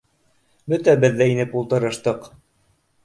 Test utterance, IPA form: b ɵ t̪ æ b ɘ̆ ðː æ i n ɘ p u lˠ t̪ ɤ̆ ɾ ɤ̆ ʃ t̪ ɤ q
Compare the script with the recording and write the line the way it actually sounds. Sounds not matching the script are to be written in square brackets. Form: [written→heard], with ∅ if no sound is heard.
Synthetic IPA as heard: b ɵ t̪ æ b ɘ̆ ðː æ i n ɘ p u lˠ t̪ ɤ̆ ɾ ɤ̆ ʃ t̪ ɤ q

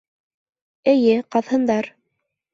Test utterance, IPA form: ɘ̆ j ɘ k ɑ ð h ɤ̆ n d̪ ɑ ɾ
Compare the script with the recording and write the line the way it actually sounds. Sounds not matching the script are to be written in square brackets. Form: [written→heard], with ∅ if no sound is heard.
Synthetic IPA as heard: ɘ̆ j ɘ [k→q] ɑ ð h ɤ̆ n d̪ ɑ ɾ

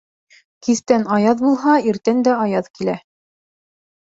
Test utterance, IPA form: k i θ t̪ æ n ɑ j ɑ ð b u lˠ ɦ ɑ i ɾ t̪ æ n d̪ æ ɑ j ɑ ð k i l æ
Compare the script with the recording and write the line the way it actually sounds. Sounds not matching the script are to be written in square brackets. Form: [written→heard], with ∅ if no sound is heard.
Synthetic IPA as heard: k i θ t̪ æ n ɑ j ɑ ð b u lˠ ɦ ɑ i ɾ t̪ æ n d̪ æ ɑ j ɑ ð k i l æ

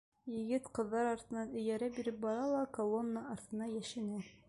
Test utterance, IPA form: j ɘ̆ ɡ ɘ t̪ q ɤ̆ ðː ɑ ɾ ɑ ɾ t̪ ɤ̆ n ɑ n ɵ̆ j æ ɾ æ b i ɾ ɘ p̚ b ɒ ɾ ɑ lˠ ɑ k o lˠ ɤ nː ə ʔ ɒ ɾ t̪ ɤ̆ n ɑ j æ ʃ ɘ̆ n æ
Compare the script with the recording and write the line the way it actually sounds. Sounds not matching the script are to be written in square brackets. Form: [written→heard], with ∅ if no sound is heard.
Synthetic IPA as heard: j ɘ̆ ɡ ɘ t̪ q ɤ̆ ðː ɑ ɾ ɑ ɾ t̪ ɤ̆ n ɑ n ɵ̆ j æ ɾ æ b i ɾ ɘ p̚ b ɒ ɾ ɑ lˠ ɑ k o lˠ [ɤ→o] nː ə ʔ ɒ ɾ t̪ ɤ̆ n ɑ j æ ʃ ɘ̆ n æ

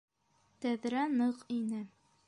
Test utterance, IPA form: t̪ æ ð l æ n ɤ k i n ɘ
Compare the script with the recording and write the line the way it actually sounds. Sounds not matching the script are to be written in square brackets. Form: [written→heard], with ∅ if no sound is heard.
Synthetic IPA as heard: t̪ æ ð [l→ɾ] æ n ɤ [k→q] i n ɘ

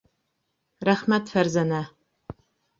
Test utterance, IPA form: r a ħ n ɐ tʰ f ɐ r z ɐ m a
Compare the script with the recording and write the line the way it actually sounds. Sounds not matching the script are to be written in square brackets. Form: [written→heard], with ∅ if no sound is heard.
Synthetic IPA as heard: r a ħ [n→m] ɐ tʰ f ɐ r z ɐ [m→n] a

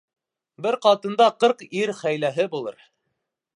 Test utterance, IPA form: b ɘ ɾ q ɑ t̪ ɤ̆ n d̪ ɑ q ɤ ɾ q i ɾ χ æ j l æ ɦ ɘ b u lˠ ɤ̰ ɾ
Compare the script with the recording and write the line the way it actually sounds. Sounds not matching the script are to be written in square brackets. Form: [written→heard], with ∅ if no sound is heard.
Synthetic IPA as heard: b ɘ ɾ q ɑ t̪ ɤ̆ n d̪ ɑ q ɤ ɾ q i ɾ χ æ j l æ ɦ ɘ b u lˠ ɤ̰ ɾ

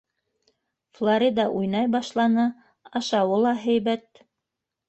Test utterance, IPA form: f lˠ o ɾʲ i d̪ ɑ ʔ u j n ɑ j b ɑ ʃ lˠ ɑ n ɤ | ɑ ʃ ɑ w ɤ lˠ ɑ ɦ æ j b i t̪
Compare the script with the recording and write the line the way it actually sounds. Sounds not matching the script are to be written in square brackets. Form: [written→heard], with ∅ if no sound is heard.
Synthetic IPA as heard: f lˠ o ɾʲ i d̪ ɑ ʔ u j n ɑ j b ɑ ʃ lˠ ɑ n ɤ | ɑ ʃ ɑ w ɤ lˠ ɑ ɦ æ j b [i→æ] t̪

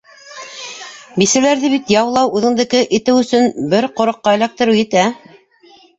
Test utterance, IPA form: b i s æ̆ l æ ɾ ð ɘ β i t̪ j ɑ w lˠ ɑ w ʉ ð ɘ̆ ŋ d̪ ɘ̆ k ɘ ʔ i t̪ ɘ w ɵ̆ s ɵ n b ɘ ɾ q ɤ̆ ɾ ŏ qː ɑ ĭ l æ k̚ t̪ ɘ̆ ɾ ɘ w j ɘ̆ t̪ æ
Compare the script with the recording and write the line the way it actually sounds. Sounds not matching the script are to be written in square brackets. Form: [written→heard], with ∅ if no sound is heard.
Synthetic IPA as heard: b i s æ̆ l æ ɾ ð ɘ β i t̪ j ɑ w lˠ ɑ w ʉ ð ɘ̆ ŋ d̪ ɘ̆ k ɘ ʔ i t̪ ɘ w ɵ̆ s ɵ n b ɘ ɾ q [ɤ̆→ŏ] ɾ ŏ qː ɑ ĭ l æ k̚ t̪ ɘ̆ ɾ ɘ w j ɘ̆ t̪ æ

